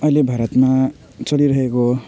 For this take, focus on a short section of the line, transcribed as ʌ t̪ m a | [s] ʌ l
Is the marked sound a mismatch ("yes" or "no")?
yes